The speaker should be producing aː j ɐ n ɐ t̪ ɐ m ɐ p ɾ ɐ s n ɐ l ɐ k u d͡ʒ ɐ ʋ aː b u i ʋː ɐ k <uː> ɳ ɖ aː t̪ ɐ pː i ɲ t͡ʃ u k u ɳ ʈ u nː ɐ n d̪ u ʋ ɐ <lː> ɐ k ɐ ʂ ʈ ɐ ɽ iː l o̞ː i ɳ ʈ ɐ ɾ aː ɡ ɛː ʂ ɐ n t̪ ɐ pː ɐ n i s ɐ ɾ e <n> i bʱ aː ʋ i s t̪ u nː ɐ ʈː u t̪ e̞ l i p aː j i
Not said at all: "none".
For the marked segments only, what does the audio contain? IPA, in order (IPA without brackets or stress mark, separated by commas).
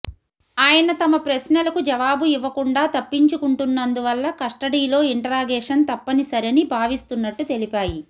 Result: u, lː, n